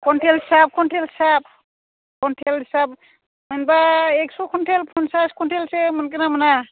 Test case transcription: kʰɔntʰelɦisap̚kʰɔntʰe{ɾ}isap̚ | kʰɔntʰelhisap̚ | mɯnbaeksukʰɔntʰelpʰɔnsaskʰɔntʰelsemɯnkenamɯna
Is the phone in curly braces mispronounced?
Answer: yes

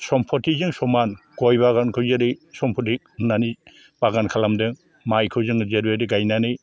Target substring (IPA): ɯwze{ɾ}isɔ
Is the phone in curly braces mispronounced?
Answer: no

